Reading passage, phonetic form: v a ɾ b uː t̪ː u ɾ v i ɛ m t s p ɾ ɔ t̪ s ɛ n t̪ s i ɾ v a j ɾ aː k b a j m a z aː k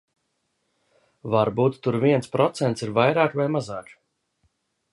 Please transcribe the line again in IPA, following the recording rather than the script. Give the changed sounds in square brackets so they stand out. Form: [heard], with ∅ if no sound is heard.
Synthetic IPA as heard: v a ɾ b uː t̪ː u ɾ v i ɛ [n] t s p ɾ ɔ t̪ s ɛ n t̪ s i ɾ v a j ɾ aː k [v] a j m a z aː k